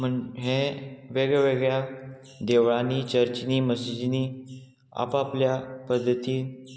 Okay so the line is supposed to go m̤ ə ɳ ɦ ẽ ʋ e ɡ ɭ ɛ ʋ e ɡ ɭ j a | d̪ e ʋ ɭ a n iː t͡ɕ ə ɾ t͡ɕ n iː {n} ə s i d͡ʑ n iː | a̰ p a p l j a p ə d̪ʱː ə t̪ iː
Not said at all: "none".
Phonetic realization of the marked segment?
m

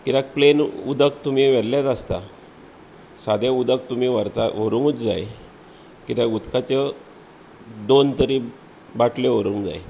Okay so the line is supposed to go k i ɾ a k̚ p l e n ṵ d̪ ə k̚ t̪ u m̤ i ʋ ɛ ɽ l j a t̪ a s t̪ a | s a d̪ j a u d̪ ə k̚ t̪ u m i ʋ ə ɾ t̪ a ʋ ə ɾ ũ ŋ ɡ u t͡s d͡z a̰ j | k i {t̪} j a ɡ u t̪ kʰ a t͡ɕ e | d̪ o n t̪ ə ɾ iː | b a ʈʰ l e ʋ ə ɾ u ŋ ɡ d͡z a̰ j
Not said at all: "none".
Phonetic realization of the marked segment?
t̪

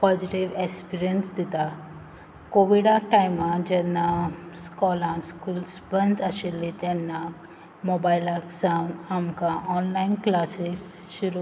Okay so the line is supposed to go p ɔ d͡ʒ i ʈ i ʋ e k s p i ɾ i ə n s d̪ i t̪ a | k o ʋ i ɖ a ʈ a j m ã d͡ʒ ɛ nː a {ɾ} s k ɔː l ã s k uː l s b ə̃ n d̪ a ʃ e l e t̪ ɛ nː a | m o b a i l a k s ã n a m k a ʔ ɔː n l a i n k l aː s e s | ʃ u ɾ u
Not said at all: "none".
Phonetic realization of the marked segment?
none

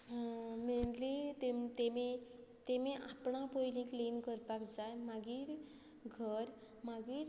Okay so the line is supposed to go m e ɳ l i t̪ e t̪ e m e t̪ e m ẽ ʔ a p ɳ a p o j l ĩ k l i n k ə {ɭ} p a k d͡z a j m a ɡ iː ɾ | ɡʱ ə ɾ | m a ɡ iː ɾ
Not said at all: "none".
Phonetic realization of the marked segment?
ɾ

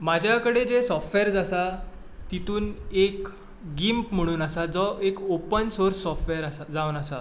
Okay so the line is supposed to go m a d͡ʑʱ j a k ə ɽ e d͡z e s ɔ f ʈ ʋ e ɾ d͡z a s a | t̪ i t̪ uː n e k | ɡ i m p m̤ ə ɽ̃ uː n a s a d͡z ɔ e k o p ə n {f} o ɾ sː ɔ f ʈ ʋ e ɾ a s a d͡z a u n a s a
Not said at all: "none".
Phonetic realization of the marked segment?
s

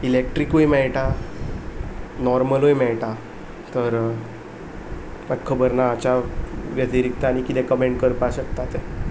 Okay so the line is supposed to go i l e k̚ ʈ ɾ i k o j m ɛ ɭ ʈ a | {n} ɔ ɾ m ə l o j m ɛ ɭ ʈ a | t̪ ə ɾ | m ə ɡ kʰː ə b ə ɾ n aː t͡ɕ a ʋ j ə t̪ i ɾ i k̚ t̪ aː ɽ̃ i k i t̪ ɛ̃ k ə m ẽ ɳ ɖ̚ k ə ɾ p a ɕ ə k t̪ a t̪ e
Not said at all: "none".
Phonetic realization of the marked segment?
n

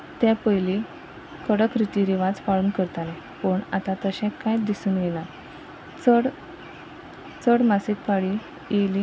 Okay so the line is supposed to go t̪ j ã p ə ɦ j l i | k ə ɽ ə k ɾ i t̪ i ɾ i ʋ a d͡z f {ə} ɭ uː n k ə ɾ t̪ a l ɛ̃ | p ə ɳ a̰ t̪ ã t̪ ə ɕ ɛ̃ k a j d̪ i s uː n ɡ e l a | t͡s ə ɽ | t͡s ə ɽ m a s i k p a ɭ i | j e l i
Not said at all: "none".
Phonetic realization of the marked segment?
a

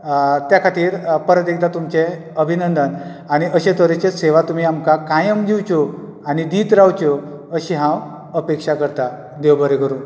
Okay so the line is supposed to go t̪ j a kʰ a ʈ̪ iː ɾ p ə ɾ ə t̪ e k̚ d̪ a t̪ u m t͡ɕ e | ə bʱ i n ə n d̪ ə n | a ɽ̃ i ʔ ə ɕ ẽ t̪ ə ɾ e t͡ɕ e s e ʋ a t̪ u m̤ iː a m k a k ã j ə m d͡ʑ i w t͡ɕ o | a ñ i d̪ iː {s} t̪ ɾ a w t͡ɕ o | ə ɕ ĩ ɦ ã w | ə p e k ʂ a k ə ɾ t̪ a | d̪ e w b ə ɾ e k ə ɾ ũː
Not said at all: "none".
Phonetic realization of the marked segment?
none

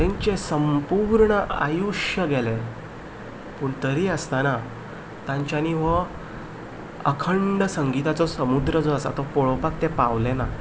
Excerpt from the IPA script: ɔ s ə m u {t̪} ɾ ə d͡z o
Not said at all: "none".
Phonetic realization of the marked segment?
d̪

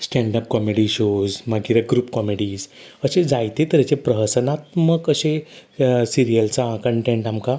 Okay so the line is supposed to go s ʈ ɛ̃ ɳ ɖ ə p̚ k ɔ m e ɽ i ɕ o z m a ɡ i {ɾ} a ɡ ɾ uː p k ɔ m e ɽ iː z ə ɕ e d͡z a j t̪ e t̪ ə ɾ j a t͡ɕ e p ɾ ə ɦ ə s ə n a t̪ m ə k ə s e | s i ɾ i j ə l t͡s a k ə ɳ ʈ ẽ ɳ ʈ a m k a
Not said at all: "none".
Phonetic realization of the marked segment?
ɾ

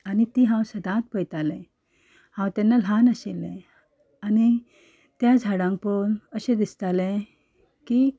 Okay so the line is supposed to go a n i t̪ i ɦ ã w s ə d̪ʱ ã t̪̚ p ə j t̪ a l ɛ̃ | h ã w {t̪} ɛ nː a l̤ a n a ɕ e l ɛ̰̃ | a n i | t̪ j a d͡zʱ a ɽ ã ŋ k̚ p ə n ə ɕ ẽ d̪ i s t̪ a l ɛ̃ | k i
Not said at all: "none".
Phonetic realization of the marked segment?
t̪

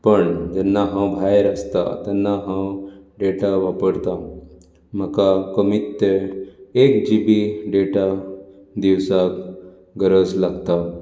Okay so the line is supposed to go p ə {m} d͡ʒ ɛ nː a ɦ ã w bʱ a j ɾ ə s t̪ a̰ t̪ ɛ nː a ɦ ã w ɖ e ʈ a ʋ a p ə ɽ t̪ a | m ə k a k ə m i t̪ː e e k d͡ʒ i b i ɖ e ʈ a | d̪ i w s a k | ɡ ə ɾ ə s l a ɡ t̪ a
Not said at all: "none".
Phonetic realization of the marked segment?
ɳ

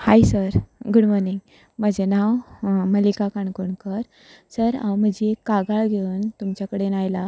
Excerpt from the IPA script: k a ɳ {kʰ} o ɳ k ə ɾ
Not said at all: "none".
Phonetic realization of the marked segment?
k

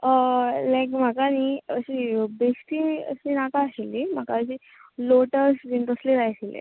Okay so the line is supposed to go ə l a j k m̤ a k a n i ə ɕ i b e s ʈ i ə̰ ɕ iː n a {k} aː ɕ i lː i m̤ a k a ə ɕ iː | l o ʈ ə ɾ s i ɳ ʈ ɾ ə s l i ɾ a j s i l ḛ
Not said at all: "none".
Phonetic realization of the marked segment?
k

